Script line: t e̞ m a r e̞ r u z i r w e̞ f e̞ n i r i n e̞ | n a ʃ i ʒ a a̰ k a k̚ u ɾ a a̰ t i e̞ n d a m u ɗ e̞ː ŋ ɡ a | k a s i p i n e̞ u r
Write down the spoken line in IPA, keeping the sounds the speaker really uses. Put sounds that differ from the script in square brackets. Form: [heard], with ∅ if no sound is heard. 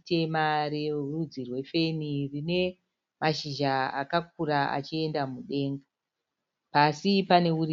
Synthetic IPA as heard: t e̞ m a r e̞ r u [d͡z] i r w e̞ f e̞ n i r i n e̞ | [m] a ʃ i ʒ a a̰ k a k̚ u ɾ a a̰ [t͡ʃ] i e̞ n d a m u ɗ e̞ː ŋ ɡ a | [p] a s i p [a] n e̞ u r

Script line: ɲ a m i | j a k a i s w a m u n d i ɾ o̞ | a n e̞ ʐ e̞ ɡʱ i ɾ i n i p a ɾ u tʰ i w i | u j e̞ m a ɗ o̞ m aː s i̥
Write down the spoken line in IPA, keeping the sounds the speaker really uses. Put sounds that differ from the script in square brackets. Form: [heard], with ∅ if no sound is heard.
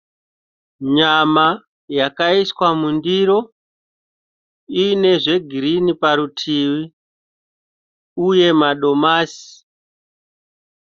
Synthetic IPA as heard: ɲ a m [a] | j a k a i s w a m u n d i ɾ o̞ | [i] n e̞ ʐ e̞ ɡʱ i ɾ i n i p a ɾ u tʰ i w i | u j e̞ m a ɗ o̞ m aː s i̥

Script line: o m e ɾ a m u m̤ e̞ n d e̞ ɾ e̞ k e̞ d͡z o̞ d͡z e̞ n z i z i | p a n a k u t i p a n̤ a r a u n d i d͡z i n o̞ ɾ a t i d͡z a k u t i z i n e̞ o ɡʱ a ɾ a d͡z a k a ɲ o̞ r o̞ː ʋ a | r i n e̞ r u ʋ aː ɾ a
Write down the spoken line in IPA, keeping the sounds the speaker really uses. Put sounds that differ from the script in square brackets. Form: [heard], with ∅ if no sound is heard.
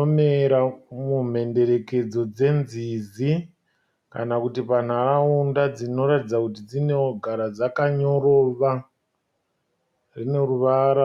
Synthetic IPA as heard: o m e ɾ a m u m̤ e̞ n d e̞ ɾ e̞ k e̞ d͡z o̞ d͡z e̞ n z i z i | [k] a n a k u t i p a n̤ a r a u n d [a] d͡z i n o̞ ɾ a t i d͡z a k u t i [d͡z] i n e̞ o ɡʱ a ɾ a d͡z a k a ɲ o̞ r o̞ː ʋ a | r i n e̞ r u ʋ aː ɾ a

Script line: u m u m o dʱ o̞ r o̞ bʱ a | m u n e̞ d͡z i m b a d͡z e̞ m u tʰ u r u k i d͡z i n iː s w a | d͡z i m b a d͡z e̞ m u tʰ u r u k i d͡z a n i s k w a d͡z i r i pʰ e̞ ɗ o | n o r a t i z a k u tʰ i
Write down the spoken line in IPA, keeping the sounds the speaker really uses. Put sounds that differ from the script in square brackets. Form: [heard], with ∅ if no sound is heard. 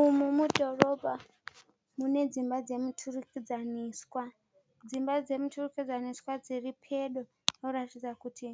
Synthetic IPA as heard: u m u m [u] dʱ o̞ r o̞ bʱ a | m u n e̞ d͡z i m b a d͡z e̞ m u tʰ u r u k i d͡z [a] n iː s w a | d͡z i m b a d͡z e̞ m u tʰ u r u k i d͡z a n i s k w a d͡z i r i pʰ e̞ ɗ o | n o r a t i [d͡z] a k u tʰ i

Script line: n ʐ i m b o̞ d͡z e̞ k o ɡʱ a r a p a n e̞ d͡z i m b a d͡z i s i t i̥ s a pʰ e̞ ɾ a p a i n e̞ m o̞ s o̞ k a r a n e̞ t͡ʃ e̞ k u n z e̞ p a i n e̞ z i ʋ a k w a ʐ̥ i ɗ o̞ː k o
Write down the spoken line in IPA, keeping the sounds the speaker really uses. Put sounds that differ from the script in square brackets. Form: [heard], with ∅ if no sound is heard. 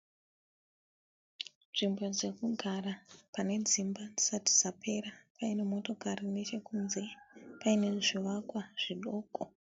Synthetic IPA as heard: n ʐ i m b o̞ d͡z e̞ k [u] ɡʱ a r a p a n e̞ d͡z i m b a d͡z i s [a] t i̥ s a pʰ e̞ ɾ a p a i n e̞ m o̞ [t] o̞ k a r [i] n e̞ t͡ʃ e̞ k u n z e̞ p a i n e̞ [ʐ] i ʋ a k w a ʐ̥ i ɗ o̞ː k o

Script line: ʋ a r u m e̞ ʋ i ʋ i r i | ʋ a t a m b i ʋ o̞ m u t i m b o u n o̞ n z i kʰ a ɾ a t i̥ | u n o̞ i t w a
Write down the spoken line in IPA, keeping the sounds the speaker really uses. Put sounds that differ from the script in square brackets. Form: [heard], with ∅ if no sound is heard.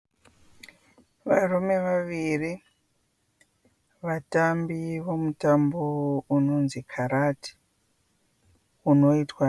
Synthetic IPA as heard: ʋ a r u m e̞ ʋ [a] ʋ i r i | ʋ a t a m b i ʋ o̞ m u t [a] m b o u n o̞ n z i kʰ a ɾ a t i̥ | u n o̞ i t w a

